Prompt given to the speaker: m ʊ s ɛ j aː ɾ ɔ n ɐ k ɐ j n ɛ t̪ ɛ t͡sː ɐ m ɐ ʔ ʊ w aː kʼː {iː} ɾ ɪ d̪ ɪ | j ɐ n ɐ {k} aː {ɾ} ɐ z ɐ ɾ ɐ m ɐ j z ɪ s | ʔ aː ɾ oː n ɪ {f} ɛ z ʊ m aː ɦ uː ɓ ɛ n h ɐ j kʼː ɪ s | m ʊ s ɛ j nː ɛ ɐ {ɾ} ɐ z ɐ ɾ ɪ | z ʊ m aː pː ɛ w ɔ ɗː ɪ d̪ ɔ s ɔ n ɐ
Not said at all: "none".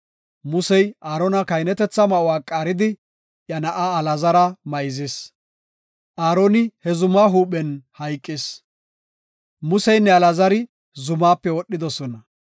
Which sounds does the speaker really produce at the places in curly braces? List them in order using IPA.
aː, ʔ, l, h, l

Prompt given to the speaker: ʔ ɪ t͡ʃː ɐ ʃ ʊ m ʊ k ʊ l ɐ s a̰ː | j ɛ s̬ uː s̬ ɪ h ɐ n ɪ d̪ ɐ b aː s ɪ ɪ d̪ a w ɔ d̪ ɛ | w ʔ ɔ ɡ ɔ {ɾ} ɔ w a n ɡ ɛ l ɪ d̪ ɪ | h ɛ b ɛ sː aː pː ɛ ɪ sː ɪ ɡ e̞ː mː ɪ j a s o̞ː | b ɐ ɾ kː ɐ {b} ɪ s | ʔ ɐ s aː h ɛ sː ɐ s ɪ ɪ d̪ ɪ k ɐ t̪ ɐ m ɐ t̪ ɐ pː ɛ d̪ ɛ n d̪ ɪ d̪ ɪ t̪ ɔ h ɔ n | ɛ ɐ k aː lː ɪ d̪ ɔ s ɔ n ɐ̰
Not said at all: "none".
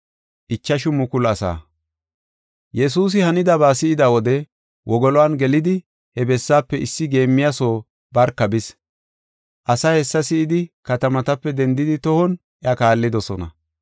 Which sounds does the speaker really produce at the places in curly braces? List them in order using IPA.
l, b

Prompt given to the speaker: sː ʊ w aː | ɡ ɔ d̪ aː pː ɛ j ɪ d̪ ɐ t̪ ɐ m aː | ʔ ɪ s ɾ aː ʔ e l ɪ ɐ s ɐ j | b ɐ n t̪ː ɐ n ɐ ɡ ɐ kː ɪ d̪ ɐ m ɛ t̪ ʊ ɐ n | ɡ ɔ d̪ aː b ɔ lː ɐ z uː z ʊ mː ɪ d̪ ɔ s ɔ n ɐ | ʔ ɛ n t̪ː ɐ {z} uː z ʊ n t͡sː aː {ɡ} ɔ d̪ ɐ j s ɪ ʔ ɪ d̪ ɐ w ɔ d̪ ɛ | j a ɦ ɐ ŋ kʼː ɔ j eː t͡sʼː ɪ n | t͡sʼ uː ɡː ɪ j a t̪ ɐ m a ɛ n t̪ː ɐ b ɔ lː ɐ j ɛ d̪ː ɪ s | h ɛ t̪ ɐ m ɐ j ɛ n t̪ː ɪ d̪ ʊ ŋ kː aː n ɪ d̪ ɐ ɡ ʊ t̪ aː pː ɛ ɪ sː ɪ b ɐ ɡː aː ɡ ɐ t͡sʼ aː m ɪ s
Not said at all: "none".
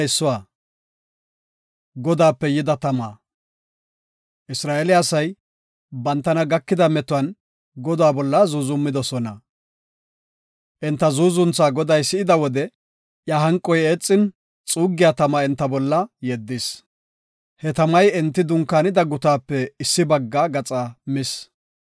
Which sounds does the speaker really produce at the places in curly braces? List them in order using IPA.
z, ɡ

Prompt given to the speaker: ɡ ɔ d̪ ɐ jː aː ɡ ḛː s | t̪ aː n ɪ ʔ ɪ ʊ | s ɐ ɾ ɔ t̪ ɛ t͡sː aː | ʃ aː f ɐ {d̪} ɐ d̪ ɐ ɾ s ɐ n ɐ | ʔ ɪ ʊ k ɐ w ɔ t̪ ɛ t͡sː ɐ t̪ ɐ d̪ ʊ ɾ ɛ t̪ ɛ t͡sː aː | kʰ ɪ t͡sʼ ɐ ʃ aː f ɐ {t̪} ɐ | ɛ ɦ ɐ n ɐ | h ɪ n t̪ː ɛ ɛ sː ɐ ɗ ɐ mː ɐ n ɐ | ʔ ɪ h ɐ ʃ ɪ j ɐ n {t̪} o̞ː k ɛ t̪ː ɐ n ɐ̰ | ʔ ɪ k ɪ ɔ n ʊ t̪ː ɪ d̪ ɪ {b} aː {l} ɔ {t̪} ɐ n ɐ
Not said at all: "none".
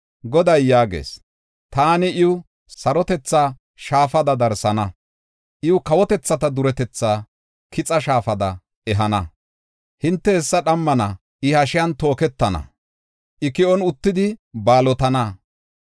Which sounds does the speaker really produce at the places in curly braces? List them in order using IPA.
d̪, d̪, t̪, b, l, t̪

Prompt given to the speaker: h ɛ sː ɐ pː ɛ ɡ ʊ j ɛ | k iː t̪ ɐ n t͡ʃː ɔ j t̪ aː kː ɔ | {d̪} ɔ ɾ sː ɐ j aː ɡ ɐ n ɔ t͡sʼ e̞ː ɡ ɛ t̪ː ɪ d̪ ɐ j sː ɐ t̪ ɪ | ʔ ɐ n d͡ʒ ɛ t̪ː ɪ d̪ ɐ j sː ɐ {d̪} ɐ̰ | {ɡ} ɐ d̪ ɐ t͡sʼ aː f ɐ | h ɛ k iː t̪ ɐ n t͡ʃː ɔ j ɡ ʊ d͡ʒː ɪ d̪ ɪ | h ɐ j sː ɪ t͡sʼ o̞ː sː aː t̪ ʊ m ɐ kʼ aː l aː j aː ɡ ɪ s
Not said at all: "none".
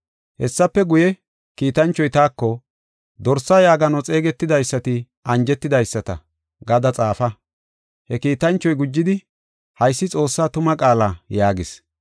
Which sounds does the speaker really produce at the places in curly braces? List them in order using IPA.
d̪, t̪, ɡ

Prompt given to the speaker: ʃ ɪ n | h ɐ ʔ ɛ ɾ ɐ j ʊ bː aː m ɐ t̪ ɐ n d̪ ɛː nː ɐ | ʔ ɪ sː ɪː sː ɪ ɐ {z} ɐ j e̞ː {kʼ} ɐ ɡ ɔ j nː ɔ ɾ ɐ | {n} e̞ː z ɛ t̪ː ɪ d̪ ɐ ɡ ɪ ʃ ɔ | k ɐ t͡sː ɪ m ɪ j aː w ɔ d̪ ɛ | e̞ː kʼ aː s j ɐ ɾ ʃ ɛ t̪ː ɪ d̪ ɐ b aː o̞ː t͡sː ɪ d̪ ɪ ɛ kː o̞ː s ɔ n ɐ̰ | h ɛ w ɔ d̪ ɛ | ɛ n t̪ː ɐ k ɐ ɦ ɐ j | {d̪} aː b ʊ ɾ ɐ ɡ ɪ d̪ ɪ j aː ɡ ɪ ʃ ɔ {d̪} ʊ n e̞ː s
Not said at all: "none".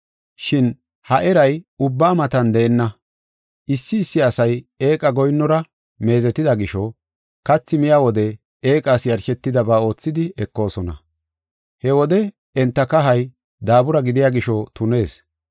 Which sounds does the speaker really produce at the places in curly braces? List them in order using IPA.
s, kʼ, m, d̪, t̪

